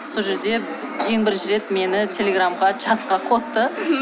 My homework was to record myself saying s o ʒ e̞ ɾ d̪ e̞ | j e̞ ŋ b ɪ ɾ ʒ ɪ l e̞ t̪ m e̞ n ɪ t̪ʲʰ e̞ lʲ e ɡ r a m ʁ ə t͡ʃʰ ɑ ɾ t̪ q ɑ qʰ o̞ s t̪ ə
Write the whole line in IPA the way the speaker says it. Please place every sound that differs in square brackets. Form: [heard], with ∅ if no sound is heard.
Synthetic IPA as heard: s o ʒ e̞ ɾ d̪ e̞ | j e̞ ŋ b ɪ ɾ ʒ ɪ [ɾ] e̞ t̪ m e̞ n ɪ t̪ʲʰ e̞ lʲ e ɡ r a m ʁ [ɑ] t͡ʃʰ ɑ [∅] t̪ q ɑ qʰ o̞ s t̪ ə